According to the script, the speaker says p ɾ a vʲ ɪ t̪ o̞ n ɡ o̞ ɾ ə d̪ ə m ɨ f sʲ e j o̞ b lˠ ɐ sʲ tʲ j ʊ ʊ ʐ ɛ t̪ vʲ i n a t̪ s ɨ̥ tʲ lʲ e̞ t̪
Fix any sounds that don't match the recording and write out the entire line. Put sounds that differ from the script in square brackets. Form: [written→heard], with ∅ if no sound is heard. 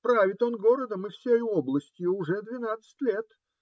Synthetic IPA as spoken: p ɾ a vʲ ɪ t̪ o̞ n ɡ o̞ ɾ ə d̪ ə m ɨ f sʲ e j o̞ b lˠ [ɐ→ə] sʲ tʲ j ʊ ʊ ʐ ɛ [t̪→d̪] vʲ [i→ɪ] n a t̪ s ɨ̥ tʲ lʲ e̞ t̪